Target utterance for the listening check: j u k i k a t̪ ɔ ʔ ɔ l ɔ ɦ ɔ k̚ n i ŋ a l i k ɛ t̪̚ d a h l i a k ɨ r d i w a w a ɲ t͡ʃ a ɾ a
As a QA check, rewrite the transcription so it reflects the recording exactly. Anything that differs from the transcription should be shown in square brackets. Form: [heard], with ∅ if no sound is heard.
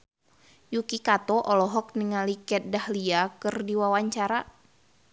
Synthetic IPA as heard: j u k i k a t̪ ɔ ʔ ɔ l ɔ ɦ ɔ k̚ n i ŋ a l i k ɛ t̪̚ d a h l i a k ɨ r d i w a w a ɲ t͡ʃ a ɾ a